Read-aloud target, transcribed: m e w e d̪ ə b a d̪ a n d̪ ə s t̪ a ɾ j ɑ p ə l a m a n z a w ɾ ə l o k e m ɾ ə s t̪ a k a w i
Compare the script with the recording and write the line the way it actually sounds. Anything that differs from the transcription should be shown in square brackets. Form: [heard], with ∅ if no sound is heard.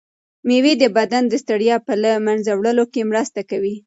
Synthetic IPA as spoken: m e w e d̪ ə b a d̪ a n d̪ ə s t̪ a [ɽ] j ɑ p ə l a m a n z a w [ɽ] ə l o k e m ɾ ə s t̪ a k a w i